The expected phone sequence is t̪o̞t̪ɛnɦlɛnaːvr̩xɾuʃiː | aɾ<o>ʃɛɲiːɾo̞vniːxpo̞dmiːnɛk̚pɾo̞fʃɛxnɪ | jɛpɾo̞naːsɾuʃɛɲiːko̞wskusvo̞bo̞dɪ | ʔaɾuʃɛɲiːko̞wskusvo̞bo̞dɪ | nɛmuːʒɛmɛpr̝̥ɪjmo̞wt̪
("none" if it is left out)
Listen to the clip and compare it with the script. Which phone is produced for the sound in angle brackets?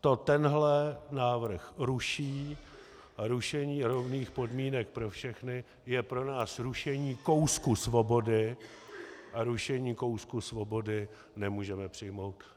u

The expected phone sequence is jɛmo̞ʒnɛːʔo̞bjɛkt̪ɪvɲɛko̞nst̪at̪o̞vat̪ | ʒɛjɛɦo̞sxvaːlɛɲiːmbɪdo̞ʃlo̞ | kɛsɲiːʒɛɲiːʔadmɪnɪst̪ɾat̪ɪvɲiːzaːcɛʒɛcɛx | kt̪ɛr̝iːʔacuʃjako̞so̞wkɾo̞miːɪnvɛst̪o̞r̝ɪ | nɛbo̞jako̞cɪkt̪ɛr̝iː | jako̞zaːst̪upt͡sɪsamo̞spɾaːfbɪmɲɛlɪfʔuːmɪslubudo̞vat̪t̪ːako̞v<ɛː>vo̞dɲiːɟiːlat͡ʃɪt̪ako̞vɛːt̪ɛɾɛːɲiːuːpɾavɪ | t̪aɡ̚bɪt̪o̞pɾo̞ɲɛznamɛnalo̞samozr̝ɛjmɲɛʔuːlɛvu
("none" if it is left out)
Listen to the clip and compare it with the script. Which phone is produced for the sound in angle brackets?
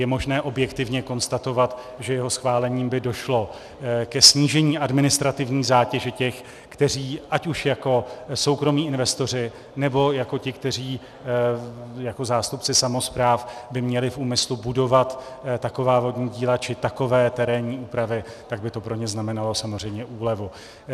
aː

